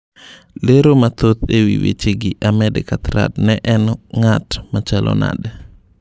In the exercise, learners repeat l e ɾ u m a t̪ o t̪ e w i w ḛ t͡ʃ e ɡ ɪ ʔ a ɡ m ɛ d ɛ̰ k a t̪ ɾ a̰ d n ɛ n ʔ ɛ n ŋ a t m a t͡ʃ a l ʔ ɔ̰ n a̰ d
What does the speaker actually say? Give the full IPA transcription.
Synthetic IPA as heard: l e ɾ o m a t̪ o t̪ e w i w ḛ t͡ʃ e ɡ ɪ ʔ a m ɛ d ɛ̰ k a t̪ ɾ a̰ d n ɛ ʔ ɛ n ŋ a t m a t͡ʃ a l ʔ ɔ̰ n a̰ d